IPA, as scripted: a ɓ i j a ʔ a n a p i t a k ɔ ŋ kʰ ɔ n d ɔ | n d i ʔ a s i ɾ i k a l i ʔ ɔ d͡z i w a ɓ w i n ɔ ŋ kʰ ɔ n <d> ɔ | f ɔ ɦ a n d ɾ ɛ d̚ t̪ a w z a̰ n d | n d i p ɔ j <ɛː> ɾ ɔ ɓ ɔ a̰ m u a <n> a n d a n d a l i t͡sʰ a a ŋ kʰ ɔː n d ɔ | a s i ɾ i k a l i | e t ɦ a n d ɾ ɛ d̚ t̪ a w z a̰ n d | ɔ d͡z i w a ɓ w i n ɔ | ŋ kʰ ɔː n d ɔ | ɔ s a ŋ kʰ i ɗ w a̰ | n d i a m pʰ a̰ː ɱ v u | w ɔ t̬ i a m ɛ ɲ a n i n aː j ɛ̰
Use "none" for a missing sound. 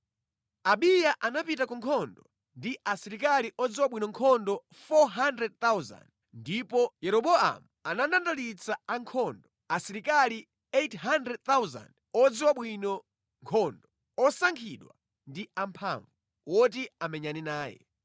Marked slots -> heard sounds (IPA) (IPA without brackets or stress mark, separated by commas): d, ɛ, n